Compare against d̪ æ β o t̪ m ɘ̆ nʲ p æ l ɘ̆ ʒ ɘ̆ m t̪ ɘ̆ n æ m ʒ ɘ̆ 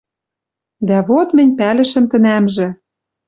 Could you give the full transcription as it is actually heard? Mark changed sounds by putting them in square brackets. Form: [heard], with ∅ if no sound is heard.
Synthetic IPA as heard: d̪ æ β o t̪ m ɘ̆ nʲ p æ l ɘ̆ [ʃ] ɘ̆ m t̪ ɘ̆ n æ m ʒ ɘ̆